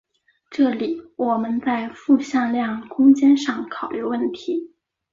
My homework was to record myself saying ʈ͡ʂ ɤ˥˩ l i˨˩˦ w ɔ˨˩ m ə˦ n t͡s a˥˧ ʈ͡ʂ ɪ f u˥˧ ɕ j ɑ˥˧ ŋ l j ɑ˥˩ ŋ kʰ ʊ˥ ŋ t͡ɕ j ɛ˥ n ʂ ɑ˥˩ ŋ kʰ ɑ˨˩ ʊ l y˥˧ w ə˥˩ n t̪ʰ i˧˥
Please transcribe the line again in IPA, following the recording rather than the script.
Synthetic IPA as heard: ʈ͡ʂ ɤ˥˩ l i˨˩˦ w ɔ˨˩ m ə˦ n t͡s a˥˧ ɪ f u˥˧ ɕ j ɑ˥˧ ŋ l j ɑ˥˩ ŋ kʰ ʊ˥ ŋ t͡ɕ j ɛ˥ n ʂ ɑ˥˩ ŋ kʰ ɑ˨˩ ʊ l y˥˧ w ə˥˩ n t̪ʰ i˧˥